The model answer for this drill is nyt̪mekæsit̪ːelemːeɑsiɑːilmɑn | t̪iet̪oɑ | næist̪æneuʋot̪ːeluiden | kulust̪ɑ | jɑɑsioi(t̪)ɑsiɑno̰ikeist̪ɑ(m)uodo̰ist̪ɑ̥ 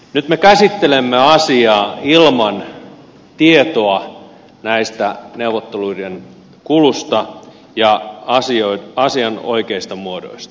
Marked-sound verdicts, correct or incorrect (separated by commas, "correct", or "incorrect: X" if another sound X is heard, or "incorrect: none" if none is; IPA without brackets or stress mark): incorrect: none, correct